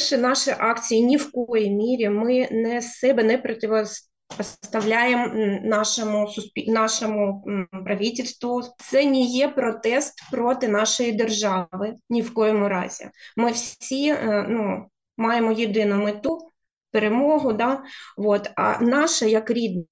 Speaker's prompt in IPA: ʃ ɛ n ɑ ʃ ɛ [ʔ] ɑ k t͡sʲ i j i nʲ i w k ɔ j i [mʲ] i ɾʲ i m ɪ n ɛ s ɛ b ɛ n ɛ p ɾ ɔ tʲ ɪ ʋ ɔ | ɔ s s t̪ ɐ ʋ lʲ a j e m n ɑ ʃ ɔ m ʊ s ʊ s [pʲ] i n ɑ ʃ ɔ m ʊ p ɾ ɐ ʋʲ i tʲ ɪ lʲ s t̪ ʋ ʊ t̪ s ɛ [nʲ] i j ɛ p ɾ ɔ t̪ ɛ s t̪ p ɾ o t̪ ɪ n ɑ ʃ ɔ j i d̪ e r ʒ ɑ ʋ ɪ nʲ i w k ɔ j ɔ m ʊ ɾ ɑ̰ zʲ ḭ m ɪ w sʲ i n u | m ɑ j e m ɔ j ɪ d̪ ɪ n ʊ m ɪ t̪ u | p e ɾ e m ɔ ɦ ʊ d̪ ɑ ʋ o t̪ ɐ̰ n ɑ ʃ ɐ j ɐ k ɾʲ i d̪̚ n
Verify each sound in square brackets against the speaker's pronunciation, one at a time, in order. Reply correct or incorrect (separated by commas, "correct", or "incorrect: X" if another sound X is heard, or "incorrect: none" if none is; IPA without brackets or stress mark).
correct, correct, correct, correct